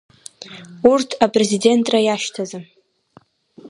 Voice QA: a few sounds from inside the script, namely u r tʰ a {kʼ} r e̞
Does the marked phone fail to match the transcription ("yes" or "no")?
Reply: yes